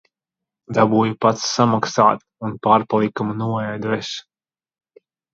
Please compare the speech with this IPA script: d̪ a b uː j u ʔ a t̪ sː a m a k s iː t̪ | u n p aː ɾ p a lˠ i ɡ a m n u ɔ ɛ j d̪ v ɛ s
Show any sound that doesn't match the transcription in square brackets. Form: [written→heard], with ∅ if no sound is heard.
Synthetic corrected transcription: d̪ a b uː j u [ʔ→p] a t̪ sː a m a k s [iː→aː] t̪ | u n p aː ɾ p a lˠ i [ɡ→k] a m n u ɔ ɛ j d̪ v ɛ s